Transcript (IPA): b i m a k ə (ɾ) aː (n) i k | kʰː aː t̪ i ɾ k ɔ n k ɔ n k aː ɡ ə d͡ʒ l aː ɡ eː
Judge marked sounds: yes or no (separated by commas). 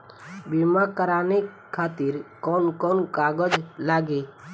yes, yes